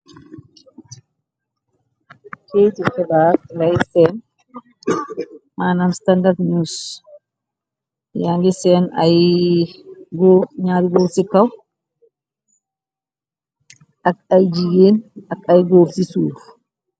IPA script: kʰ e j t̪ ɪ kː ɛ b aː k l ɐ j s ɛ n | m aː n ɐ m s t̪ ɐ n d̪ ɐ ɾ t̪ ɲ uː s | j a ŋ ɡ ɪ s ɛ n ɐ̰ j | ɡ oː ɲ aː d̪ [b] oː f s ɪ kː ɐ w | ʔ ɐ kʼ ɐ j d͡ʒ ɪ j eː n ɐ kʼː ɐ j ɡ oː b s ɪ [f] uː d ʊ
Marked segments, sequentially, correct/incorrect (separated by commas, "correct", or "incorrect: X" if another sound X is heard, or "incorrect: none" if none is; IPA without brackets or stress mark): incorrect: ɡ, incorrect: s